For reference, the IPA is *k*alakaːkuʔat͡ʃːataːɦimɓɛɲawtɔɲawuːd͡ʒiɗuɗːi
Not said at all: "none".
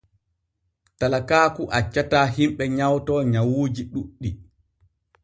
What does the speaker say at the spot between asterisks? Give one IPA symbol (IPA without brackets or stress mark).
t